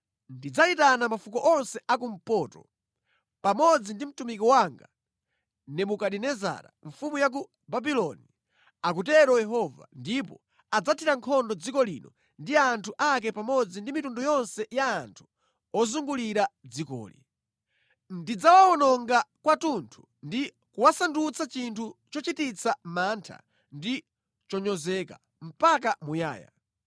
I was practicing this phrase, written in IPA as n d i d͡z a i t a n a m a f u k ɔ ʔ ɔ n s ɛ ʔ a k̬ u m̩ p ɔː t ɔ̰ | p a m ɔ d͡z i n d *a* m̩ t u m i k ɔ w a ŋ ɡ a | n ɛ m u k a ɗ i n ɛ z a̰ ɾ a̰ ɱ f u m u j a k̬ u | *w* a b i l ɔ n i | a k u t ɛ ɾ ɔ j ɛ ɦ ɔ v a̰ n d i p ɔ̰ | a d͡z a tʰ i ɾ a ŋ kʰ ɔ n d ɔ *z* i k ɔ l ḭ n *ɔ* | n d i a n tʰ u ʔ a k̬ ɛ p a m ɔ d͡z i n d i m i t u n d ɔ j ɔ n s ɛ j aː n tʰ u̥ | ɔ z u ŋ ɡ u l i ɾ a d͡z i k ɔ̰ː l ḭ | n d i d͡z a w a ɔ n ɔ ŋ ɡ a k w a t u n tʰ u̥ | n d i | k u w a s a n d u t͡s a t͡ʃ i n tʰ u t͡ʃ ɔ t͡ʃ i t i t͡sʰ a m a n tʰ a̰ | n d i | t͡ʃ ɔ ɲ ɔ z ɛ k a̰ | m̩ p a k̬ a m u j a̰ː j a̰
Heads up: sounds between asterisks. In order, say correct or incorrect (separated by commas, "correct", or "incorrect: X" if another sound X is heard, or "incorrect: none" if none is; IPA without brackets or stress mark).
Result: incorrect: i, incorrect: b, incorrect: d͡z, correct